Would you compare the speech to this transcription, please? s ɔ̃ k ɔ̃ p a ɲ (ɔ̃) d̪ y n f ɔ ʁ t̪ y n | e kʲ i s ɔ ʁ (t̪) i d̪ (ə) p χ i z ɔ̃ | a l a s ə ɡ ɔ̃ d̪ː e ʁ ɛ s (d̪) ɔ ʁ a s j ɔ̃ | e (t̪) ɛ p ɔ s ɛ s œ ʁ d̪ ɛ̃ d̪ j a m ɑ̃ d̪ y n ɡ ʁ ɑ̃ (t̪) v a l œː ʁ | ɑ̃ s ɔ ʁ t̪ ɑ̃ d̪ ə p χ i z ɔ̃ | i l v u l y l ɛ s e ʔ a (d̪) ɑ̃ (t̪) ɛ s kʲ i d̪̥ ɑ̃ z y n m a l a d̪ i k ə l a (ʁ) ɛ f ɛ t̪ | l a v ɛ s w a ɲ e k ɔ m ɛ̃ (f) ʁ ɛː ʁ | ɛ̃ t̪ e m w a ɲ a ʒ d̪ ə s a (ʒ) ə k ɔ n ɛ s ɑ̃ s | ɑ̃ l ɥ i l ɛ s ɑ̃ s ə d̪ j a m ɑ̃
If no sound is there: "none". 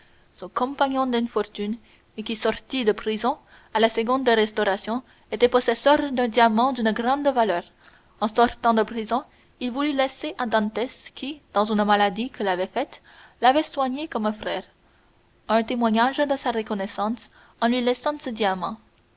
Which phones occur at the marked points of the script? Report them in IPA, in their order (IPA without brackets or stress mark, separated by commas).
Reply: ɔ̃, t̪, ə, t̪, t̪, d̪, d̪, t̪, v, f, ʁ